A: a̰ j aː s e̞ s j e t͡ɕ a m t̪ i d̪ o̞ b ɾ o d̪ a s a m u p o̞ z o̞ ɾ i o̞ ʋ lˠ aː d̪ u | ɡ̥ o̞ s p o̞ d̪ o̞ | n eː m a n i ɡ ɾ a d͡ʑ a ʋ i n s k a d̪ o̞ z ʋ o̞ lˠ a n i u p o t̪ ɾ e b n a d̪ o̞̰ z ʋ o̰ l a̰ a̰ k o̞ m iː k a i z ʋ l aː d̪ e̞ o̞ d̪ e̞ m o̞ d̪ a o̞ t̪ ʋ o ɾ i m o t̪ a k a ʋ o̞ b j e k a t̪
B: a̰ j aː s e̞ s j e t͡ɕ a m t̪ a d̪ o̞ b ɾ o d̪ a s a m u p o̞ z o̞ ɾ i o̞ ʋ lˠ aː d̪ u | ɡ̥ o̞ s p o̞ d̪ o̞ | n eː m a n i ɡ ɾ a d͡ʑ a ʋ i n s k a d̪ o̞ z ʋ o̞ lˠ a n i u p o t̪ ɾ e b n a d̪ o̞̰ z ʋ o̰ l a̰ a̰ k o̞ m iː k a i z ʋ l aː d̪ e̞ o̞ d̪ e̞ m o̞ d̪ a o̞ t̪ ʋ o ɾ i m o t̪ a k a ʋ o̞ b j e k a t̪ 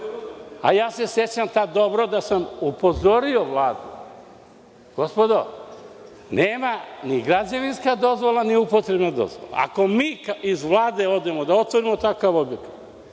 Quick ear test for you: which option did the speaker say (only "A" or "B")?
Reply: B